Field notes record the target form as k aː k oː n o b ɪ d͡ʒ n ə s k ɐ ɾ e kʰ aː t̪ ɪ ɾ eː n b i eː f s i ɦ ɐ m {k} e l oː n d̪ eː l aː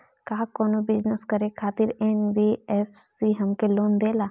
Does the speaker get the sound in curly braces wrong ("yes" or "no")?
no